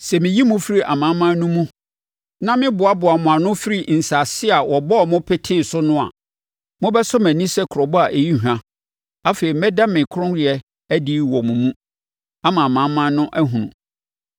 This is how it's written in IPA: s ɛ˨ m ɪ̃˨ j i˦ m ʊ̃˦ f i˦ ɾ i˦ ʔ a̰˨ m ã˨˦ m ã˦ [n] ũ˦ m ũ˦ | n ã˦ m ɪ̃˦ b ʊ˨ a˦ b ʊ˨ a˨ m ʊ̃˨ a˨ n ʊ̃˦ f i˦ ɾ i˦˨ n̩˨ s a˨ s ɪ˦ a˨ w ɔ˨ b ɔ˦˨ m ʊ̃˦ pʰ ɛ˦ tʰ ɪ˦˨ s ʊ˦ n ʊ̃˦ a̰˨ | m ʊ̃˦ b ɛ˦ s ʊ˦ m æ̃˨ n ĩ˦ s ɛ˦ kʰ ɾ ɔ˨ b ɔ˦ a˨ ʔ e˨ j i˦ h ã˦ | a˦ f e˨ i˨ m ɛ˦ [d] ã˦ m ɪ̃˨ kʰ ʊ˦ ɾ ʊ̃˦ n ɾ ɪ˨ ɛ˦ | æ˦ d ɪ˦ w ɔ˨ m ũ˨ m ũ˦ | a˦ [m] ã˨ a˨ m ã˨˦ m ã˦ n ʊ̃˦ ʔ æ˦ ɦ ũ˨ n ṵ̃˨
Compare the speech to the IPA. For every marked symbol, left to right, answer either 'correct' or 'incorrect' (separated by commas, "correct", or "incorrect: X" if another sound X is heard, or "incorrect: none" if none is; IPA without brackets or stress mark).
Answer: correct, correct, correct